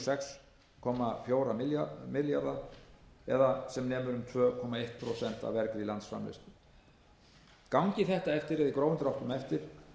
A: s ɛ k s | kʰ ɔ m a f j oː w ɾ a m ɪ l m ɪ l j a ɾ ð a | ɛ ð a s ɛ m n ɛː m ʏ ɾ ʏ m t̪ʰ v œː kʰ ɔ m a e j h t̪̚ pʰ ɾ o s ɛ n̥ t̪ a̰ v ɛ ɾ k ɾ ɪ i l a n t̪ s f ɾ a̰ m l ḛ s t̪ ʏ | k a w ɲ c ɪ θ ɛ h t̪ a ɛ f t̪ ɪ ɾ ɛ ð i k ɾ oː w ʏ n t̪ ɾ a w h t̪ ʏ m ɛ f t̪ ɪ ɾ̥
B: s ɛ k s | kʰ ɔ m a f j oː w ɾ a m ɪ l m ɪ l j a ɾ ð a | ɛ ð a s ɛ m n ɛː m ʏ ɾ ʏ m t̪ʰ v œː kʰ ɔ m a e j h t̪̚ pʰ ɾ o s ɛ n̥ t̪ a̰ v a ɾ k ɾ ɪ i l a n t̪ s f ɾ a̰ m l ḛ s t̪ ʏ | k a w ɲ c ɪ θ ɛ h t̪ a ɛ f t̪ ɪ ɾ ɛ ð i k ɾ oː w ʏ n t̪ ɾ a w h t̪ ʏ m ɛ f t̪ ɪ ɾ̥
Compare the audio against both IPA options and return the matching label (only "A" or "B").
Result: A